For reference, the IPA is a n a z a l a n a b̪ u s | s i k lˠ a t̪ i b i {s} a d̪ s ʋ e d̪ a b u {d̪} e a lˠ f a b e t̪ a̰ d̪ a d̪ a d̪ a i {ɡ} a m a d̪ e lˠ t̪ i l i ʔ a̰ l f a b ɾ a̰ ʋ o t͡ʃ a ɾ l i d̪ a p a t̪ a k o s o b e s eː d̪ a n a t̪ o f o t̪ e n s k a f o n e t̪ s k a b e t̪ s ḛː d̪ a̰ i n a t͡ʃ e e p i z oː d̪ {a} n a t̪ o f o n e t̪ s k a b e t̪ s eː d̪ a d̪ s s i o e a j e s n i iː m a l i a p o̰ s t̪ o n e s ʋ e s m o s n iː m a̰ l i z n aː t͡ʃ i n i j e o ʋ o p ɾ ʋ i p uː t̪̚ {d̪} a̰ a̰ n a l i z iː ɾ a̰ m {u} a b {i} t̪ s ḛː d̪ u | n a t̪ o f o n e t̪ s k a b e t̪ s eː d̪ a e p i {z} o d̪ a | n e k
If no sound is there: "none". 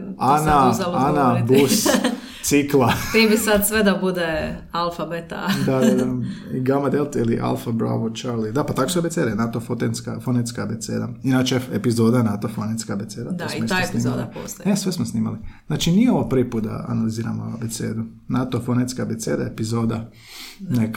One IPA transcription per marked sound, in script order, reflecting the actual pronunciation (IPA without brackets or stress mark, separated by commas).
s, d̪, ɡ, a, d̪, o, e, z